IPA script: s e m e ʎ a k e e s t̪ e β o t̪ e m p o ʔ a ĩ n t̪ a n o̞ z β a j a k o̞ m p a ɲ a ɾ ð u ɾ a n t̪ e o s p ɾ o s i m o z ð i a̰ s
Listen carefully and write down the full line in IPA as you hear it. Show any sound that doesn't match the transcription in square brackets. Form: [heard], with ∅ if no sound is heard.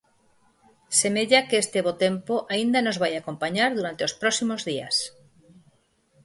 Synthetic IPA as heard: s e m e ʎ a k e e s t̪ e β o t̪ e m p o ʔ a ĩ n [d̪] a n o̞ z β a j a k o̞ m p a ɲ a ɾ ð u ɾ a n t̪ e o s p ɾ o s i m o z ð i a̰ s